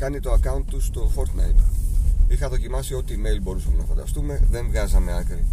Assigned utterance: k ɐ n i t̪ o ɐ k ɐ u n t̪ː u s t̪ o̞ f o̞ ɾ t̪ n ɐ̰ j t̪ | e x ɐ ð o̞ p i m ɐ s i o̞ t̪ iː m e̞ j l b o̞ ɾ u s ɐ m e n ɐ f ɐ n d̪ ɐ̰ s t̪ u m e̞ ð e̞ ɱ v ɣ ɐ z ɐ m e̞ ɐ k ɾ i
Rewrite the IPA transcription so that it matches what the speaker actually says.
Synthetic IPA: k ɐ n i t̪ o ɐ k ɐ u n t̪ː u s t̪ o̞ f o̞ ɾ t̪ n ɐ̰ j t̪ | i x ɐ ð o̞ c i m ɐ s i o̞ t̪ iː m e̞ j l b o̞ ɾ u s ɐ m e n ɐ f ɐ n d̪ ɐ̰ s t̪ u m e̞ ð e̞ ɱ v ɣ ɐ z ɐ m e̞ ɐ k ɾ i